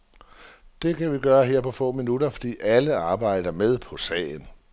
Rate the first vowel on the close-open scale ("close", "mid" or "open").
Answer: mid